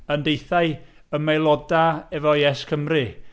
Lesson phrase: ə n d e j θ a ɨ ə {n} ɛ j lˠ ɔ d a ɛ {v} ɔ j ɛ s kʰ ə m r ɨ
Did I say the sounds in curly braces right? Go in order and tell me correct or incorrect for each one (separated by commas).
incorrect, correct